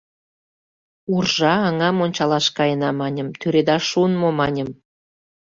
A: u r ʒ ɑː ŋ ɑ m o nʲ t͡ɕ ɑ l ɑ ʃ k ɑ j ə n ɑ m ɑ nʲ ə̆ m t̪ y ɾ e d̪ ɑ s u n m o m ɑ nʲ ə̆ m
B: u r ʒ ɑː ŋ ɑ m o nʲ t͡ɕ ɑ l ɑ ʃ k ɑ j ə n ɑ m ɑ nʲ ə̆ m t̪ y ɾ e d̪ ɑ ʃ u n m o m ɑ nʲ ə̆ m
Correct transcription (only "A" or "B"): B